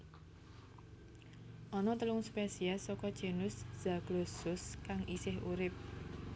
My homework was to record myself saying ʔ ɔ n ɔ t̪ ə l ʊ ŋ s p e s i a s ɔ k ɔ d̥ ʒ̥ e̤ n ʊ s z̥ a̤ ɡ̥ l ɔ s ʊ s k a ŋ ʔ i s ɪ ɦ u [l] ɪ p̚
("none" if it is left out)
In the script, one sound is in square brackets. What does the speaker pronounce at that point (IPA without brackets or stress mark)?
ɾ